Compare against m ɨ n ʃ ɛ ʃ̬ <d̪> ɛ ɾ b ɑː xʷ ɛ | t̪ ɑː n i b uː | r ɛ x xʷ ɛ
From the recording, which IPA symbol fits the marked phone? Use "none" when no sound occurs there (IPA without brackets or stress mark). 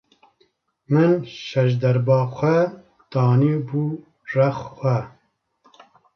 d̪